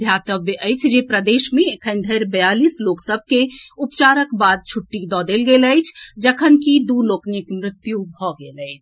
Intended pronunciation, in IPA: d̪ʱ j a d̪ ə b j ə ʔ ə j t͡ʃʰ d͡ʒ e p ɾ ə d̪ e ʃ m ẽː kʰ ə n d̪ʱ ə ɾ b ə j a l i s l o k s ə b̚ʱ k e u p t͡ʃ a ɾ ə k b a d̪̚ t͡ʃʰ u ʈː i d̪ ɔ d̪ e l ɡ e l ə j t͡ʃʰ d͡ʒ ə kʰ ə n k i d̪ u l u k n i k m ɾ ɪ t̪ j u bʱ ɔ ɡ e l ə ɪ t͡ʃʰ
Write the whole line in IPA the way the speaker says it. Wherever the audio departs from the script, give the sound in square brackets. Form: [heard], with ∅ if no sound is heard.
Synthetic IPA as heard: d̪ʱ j a [t̪] ə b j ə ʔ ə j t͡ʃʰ d͡ʒ e p ɾ ə d̪ e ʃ m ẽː kʰ ə n d̪ʱ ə ɾ b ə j a l i s l o k s ə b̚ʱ k e u p t͡ʃ a ɾ ə k b a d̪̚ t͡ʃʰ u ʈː i d̪ ɔ d̪ e l ɡ e l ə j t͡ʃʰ d͡ʒ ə kʰ ə n k i d̪ u l [o] k n i k m ɾ ɪ t̪ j u bʱ ɔ ɡ e l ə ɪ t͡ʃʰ